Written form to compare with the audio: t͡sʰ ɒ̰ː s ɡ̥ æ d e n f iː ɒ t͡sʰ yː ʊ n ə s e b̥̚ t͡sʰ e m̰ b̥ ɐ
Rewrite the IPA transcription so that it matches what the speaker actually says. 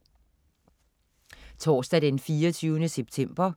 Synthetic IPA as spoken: t͡sʰ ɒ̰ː s d̥ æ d e n f iː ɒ t͡sʰ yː ʊ n ə s e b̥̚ t͡sʰ e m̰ b̥ ɐ